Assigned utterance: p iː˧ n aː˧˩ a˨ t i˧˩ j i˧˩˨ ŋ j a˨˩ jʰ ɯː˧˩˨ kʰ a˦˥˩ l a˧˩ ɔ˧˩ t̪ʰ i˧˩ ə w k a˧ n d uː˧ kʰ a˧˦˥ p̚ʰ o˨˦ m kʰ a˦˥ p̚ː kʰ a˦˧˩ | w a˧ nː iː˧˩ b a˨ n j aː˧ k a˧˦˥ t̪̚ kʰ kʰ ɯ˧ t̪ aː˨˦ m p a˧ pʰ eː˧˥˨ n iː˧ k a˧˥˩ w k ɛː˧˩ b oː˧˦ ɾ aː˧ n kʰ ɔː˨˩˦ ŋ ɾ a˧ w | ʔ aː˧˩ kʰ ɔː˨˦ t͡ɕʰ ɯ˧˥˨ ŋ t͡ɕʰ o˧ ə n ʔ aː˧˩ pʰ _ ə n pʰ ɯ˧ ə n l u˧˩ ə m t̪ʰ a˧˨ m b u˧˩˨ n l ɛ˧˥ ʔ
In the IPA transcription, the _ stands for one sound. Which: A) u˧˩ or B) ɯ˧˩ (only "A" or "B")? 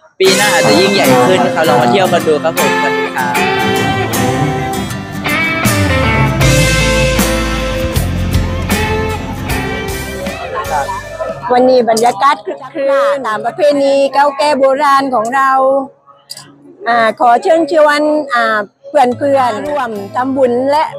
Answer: B